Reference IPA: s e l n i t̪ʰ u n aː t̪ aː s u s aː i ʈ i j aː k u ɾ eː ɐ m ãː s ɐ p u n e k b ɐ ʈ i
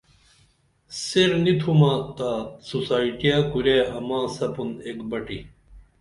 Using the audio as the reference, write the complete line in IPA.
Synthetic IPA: s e ɾ n i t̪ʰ u m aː t̪ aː s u s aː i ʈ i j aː k u ɾ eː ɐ m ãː s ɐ p u n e k b ɐ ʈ i